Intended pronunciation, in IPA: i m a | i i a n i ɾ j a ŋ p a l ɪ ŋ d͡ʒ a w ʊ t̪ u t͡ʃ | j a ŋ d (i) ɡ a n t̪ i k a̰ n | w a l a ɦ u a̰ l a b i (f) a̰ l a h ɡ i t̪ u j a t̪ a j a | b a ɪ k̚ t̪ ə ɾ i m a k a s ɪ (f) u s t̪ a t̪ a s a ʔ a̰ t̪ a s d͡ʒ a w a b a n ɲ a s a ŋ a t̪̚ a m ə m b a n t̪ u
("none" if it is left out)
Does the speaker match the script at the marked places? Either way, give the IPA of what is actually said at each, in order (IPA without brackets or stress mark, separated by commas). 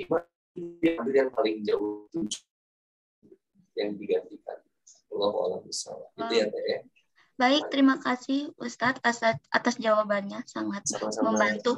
i, s, h